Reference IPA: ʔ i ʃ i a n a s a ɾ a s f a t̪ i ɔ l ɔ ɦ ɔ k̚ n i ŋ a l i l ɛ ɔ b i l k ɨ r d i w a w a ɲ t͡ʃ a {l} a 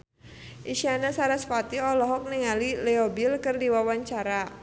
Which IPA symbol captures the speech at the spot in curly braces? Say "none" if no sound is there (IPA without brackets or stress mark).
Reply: ɾ